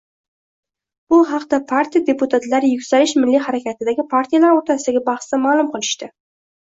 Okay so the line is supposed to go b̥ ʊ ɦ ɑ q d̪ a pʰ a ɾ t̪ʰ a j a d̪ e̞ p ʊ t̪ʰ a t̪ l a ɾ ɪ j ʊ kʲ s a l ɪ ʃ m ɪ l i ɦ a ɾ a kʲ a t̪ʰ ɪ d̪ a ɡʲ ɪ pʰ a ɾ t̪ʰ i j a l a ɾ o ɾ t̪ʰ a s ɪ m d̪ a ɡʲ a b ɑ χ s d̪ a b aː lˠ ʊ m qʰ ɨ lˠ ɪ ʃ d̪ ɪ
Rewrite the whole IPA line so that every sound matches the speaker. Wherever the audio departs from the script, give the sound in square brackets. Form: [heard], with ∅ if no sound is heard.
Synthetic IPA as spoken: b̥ ʊ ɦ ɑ q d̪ a pʰ a ɾ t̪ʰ [i] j a d̪ e̞ p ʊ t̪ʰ a t̪ l a ɾ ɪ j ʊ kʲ s a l ɪ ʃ m ɪ [lː] i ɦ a ɾ a kʲ a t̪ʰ ɪ d̪ a ɡʲ ɪ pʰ a ɾ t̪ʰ i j a l a ɾ o ɾ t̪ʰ a s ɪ [∅] d̪ a ɡʲ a b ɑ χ s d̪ a [m] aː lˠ ʊ m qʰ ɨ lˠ ɪ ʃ [t̪] ɪ